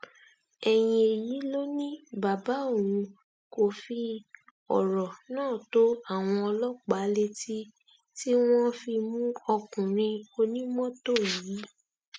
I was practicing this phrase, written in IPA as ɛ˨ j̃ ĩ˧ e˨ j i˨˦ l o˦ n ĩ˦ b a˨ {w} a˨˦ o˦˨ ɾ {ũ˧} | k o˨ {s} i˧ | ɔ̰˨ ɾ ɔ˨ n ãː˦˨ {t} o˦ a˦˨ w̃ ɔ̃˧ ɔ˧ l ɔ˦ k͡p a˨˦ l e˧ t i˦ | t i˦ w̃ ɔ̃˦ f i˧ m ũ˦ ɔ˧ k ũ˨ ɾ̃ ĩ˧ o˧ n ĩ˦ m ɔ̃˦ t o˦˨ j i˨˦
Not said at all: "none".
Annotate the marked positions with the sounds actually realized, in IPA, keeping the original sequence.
b, ũ˧, f, t

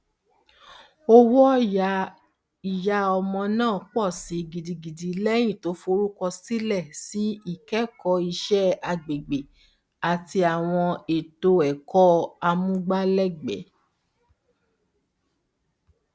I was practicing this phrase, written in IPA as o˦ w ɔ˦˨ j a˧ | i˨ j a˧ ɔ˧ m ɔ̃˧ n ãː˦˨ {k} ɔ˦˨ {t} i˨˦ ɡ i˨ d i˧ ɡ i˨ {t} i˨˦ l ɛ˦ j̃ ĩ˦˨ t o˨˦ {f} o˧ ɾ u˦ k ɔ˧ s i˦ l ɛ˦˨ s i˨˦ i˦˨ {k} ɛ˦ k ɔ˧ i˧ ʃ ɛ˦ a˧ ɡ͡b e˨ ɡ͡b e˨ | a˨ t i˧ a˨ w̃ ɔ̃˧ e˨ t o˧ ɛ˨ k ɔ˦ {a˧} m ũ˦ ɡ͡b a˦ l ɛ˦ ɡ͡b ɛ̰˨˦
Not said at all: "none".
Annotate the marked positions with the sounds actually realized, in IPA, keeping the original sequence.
k͡p, s, d, f, k, a˧

